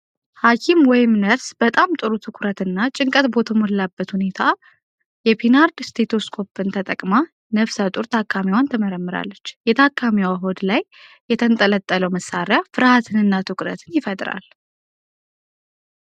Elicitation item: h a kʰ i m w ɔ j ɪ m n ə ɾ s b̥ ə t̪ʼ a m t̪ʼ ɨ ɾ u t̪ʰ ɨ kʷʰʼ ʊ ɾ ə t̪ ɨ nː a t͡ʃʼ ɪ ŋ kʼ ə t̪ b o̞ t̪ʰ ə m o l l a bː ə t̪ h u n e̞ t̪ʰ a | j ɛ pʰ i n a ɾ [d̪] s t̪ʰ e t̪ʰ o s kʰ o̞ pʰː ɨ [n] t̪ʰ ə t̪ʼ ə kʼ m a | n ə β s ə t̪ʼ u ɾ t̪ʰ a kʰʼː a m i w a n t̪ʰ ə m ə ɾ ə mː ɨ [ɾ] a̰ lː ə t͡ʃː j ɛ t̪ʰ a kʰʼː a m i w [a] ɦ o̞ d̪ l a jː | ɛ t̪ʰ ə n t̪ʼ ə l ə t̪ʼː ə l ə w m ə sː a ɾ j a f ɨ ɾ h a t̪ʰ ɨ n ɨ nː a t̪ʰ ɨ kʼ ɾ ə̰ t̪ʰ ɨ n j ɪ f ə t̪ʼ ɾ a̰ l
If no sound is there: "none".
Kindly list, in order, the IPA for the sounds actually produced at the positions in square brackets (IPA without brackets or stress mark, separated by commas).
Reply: d̪, n, ɾ, a